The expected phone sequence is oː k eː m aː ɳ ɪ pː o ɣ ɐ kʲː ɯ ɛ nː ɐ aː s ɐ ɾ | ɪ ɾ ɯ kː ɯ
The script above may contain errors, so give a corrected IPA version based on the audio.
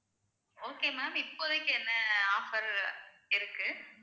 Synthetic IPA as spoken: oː k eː m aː m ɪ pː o ð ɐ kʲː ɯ ɛ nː ɐ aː f ɐ ɾ | ɪ ɾ ɯ kː ɯ